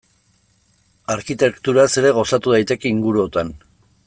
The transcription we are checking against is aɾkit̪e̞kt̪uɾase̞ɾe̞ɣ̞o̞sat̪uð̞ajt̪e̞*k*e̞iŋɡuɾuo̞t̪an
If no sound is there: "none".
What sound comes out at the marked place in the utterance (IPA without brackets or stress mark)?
k